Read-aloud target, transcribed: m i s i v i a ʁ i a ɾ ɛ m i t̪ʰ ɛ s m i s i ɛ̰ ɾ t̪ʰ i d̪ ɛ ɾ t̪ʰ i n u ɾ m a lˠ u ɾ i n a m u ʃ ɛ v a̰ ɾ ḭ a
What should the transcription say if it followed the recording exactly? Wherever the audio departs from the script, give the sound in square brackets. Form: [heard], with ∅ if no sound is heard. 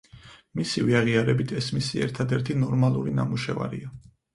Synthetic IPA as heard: m i s i v i a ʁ i a ɾ ɛ [b] i t̪ʰ ɛ s m i s i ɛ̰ ɾ t̪ʰ [a] d̪ ɛ ɾ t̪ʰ i n [ɔ] ɾ m a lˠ u ɾ i n a m u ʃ ɛ v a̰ ɾ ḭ a